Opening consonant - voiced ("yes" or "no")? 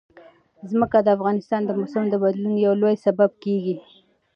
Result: yes